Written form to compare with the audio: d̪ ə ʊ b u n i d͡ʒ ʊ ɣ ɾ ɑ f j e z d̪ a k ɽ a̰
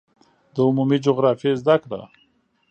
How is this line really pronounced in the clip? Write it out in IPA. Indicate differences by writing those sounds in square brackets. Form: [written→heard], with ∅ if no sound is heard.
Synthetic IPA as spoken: d̪ ə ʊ [b→m] u [n→m] i d͡ʒ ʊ ɣ ɾ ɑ f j e z d̪ a k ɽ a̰